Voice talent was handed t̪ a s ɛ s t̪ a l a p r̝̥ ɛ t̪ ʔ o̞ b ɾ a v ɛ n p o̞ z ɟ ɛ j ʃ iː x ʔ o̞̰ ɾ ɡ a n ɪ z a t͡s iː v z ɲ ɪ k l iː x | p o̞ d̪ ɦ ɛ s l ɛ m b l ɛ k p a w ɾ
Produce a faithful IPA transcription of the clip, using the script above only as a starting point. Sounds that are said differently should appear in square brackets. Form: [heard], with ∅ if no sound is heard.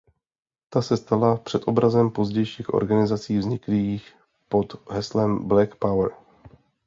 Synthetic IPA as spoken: t̪ a s ɛ s t̪ a l a p r̝̥ ɛ t̪ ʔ o̞ b ɾ a [z] ɛ [m] p o̞ z ɟ ɛ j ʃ iː x ʔ o̞̰ ɾ ɡ a n ɪ z a t͡s iː v z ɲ ɪ k l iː x | p o̞ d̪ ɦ ɛ s l ɛ m b l ɛ k p a w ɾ